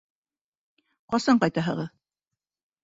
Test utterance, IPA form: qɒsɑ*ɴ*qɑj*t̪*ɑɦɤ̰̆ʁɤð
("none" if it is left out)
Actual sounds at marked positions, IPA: ɴ, t̪

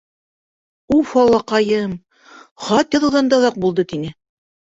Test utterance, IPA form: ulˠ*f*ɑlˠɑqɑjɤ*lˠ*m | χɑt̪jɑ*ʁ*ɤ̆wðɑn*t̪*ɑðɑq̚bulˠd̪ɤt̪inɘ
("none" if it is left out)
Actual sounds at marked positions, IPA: f, none, ð, d̪

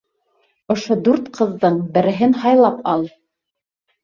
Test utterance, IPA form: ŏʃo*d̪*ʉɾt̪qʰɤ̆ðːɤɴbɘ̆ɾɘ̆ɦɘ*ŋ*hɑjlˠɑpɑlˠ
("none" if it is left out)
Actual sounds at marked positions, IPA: d̪, n

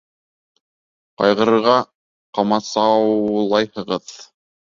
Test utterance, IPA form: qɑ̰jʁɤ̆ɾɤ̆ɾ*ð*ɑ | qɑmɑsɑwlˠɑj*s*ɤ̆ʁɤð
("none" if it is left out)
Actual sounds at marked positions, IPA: ʁ, h

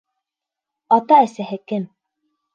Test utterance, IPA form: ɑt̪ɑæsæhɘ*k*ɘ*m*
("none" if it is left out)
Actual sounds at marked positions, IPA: k, m

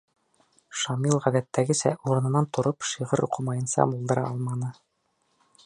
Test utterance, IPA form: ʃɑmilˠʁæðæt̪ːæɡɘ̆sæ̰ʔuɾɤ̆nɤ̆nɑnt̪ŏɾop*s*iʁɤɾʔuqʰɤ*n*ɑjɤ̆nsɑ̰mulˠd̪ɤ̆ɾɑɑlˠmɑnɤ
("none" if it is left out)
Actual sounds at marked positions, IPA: ʃ, m

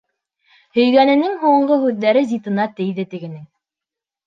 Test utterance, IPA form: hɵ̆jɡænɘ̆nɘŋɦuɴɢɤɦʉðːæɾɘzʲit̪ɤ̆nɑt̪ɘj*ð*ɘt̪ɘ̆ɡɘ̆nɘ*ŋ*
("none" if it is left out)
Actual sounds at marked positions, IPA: ð, ŋ

